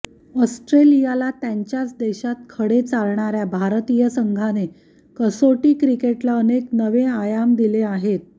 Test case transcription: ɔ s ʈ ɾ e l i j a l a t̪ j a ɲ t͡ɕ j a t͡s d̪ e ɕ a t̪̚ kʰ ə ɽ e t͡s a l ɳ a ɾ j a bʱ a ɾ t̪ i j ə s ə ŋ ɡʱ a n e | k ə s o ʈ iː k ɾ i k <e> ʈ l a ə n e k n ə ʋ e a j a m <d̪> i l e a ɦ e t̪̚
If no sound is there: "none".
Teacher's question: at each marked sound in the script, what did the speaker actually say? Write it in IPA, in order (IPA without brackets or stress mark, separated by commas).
e, d̪